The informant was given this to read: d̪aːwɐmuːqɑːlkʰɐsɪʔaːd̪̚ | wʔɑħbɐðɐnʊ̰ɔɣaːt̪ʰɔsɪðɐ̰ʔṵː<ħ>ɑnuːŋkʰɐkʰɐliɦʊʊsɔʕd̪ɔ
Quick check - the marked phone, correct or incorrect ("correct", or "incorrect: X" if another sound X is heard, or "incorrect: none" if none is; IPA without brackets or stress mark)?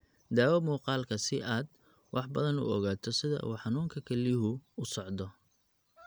correct